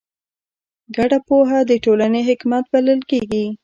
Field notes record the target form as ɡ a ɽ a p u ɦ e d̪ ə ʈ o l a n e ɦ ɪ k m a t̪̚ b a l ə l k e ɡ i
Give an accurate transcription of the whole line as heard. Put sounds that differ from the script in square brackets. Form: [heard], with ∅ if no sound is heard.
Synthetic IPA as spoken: ɡ a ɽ a p [o] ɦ [a] d̪ ə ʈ o l a n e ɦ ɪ k m a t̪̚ b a l ə l k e ɡ i